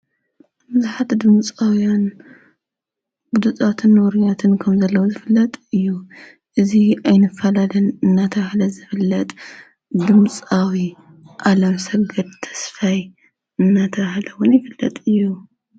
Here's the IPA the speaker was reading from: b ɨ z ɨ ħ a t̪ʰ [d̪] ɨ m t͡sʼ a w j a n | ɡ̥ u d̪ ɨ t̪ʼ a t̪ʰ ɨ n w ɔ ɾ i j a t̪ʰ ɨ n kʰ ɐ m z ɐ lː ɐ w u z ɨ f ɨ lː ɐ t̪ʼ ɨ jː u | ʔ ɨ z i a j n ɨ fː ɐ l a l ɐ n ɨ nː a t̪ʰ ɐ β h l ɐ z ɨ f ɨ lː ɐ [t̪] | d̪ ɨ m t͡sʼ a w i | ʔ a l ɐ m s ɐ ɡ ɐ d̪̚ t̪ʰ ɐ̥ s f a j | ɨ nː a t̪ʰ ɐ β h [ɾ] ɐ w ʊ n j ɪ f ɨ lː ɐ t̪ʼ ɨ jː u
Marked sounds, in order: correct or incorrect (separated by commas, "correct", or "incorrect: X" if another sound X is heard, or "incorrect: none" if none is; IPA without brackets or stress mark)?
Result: correct, incorrect: t̪ʼ, incorrect: l